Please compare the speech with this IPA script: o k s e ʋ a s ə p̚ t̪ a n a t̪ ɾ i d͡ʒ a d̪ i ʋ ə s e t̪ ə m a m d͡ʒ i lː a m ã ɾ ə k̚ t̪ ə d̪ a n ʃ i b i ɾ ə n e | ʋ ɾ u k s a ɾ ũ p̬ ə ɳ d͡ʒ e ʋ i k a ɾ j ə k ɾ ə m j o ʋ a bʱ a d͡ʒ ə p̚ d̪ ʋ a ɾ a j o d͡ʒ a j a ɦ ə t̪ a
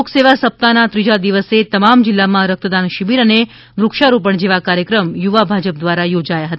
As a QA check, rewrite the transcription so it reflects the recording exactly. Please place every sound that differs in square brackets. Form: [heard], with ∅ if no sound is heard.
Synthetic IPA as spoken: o k s e ʋ a s ə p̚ t̪ a n a t̪ ɾ i d͡ʒ a d̪ i ʋ ə s e t̪ ə m a m d͡ʒ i lː a m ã ɾ ə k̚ t̪ ə d̪ a n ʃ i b i ɾ ə n e | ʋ ɾ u k [ʃ] a ɾ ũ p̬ ə ɳ d͡ʒ e ʋ [a] k a ɾ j ə k ɾ ə m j [u] ʋ a bʱ a d͡ʒ ə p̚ d̪ ʋ a ɾ a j o d͡ʒ a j a ɦ ə t̪ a